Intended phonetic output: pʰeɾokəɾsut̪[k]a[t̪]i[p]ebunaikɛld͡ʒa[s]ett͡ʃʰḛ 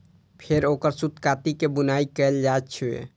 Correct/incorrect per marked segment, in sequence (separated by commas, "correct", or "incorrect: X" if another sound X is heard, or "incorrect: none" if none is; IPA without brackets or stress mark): correct, correct, incorrect: k, incorrect: none